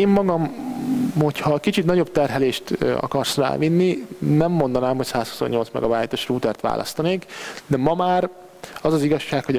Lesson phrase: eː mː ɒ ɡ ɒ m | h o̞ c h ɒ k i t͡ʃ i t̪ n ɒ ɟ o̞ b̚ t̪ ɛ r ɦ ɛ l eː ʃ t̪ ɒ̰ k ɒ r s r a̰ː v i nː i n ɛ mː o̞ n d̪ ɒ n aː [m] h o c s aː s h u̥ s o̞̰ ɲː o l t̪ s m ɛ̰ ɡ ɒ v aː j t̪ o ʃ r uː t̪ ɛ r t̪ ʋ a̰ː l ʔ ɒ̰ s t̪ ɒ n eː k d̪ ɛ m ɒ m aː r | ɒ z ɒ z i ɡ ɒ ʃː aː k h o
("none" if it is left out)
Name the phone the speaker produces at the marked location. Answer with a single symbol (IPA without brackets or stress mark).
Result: m